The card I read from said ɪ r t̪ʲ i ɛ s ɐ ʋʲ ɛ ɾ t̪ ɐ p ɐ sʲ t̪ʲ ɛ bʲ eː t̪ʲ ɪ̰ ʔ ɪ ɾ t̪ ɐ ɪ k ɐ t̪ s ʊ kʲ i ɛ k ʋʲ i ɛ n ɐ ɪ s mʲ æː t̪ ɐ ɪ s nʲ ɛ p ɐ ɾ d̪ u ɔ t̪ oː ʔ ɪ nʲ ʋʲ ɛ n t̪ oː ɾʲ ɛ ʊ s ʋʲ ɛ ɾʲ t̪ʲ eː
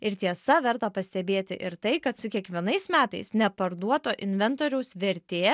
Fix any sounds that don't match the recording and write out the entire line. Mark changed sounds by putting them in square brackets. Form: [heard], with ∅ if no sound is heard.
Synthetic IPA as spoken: ɪ [ɾ] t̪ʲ i ɛ s ɐ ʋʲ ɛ ɾ t̪ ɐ p ɐ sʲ t̪ʲ ɛ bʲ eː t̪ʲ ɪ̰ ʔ ɪ ɾ t̪ ɐ ɪ k ɐ t̪ s ʊ kʲ i ɛ k ʋʲ i ɛ n ɐ ɪ s mʲ æː t̪ ɐ ɪ s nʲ ɛ p ɐ ɾ d̪ u ɔ t̪ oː ʔ ɪ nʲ ʋʲ ɛ n t̪ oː ɾʲ ɛ ʊ s ʋʲ ɛ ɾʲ t̪ʲ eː